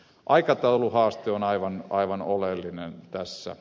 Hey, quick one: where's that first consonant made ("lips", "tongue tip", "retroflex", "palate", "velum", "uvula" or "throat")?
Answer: throat